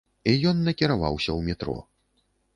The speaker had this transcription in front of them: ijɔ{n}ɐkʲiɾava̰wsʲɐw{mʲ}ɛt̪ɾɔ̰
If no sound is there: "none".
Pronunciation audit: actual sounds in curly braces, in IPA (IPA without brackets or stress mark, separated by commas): nː, mʲ